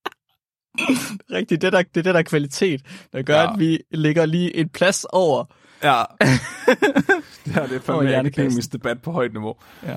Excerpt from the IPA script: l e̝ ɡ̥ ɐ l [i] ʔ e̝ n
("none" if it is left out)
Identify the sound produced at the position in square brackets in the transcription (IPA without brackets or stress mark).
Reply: iː